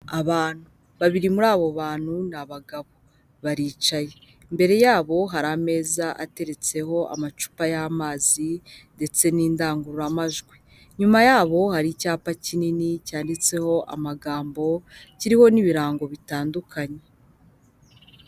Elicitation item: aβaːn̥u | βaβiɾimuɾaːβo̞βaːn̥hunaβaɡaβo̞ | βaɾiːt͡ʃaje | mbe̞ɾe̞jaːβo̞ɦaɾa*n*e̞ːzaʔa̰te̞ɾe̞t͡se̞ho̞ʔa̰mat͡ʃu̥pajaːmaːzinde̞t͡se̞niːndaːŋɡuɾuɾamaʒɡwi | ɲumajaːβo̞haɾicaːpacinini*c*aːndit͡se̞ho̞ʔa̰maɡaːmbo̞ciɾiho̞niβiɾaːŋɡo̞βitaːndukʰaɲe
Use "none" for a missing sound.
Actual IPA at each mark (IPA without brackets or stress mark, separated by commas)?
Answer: m, c